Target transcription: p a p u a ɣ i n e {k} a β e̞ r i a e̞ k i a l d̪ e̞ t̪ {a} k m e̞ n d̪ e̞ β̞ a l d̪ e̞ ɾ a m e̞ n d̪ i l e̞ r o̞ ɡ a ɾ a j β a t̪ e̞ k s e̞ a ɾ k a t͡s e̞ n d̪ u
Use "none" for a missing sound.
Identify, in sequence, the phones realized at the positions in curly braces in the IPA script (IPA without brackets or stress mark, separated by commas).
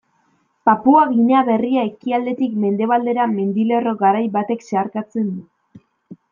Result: none, i